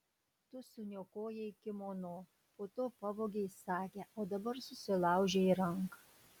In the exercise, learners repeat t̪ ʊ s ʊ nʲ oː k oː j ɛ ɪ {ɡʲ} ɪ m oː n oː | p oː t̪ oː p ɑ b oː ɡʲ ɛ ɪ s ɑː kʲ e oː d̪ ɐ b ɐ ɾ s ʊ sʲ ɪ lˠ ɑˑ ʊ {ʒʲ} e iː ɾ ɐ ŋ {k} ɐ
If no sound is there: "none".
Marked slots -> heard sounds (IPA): kʲ, ʒʲ, k

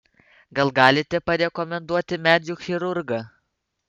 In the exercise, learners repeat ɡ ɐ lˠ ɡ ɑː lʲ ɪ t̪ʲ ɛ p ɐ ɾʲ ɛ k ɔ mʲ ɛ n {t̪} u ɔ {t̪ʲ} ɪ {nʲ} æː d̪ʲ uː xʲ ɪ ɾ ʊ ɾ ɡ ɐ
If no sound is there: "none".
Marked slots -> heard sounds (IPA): d̪, t̪ʲ, mʲ

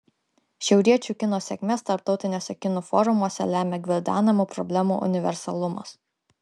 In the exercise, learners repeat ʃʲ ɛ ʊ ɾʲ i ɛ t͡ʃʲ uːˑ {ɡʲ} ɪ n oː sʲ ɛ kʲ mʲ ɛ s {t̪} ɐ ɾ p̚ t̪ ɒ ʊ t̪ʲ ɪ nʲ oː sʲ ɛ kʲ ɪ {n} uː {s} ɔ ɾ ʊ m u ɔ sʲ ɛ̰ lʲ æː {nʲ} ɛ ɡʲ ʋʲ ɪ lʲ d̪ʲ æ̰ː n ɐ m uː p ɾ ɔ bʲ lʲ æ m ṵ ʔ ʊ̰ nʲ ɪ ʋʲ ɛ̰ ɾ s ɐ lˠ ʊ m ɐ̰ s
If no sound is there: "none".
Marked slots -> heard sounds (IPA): kʲ, t̪, n, f, mʲ

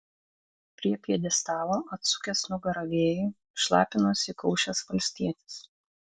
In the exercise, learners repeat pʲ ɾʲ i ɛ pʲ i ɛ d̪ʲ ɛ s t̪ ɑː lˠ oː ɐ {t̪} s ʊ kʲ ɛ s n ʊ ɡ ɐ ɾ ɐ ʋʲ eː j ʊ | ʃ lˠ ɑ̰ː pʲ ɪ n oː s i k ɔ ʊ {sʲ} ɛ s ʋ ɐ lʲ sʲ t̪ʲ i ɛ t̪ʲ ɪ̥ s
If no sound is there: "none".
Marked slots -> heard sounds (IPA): t̪, ʃʲ

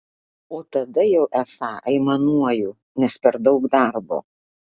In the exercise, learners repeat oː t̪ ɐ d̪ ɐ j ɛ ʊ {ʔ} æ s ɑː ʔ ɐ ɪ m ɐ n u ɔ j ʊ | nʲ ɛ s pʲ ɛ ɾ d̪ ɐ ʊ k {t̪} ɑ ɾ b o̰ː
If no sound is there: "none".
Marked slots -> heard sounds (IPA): ʔ, d̪

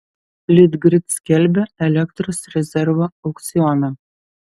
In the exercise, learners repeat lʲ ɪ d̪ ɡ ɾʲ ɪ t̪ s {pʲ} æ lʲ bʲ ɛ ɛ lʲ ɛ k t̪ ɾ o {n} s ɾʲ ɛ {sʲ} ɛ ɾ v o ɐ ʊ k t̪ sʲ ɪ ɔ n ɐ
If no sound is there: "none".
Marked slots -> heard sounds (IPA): kʲ, none, zʲ

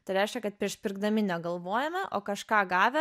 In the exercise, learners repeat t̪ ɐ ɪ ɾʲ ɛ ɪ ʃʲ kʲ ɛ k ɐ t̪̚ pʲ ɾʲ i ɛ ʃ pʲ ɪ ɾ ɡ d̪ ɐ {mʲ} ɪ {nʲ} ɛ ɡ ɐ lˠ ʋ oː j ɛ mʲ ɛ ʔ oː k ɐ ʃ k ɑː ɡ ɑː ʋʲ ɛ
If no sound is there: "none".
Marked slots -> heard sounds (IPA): mʲ, nʲ

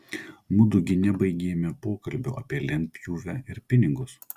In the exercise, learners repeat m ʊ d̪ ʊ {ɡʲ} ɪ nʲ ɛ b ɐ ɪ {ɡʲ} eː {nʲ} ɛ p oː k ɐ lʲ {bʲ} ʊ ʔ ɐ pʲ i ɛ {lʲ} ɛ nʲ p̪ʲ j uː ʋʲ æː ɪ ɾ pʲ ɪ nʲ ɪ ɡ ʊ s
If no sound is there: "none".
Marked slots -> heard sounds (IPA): ɡʲ, ɡʲ, mʲ, bʲ, lʲ

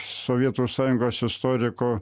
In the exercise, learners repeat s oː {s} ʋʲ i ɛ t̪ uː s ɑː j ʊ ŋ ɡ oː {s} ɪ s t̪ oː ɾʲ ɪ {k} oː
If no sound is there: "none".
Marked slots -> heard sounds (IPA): none, s, k

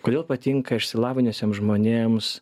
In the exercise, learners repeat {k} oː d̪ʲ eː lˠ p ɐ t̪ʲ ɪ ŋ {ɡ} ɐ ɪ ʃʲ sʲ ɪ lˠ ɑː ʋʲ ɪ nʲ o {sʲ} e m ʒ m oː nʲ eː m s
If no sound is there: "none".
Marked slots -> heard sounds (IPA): k, k, sʲ

